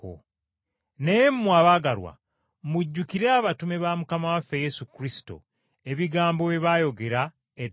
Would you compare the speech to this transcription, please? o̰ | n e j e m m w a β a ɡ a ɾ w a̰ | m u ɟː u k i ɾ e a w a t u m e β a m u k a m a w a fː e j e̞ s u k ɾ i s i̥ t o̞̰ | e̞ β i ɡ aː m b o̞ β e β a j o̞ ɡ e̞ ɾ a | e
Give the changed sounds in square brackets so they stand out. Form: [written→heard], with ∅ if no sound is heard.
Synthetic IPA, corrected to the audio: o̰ | n e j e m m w a β a ɡ a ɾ w a̰ | m u ɟː u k i ɾ e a [w→β] a t u m e β a m u k a m a w a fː e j e̞ s u k ɾ i s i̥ t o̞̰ | e̞ β i ɡ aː m b o̞ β e β a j o̞ ɡ e̞ ɾ a | e

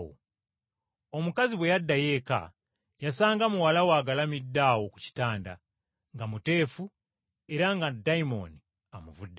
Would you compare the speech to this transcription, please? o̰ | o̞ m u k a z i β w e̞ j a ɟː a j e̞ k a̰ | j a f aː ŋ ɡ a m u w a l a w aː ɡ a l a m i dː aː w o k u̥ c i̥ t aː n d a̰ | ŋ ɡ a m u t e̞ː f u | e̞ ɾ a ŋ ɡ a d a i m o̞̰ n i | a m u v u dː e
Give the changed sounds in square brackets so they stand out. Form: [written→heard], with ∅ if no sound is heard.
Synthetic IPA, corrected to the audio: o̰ | o̞ m u k a z i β w e̞ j a [ɟː→dː] a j e̞ k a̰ | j a [f→s] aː ŋ ɡ a m u w a l a w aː ɡ a l a m i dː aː w o k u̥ c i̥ t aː n d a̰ | ŋ ɡ a m u t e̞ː f u | e̞ ɾ a ŋ ɡ a d a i m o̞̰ n i | a m u v u dː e

